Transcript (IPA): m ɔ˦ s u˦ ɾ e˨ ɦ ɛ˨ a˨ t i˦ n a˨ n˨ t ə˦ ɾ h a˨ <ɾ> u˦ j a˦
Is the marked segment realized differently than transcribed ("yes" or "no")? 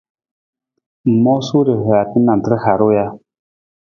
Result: no